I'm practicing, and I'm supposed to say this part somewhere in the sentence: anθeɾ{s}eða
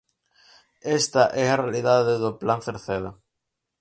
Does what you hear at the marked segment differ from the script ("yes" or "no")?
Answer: yes